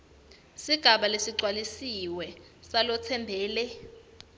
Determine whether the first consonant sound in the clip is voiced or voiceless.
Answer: voiceless